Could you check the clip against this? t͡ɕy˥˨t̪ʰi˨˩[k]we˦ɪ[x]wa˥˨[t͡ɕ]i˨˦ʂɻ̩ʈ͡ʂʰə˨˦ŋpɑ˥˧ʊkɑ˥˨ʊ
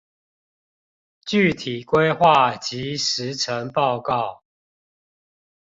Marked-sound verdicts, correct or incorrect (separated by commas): correct, correct, correct